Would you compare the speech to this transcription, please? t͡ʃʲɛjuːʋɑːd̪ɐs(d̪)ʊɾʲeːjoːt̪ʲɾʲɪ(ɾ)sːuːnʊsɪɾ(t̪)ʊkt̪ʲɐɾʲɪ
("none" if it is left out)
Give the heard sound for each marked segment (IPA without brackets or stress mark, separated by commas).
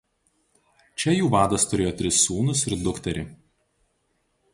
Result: t̪, none, d̪